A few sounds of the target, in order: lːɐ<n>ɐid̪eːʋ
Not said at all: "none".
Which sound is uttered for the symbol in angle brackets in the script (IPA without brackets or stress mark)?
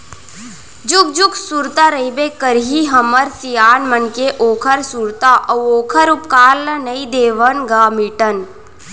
n